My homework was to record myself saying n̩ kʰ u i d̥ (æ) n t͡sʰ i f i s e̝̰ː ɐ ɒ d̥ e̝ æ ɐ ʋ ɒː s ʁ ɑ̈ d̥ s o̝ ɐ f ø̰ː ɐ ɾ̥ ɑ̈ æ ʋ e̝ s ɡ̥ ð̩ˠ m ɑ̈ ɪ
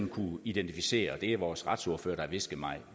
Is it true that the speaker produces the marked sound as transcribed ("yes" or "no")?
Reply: no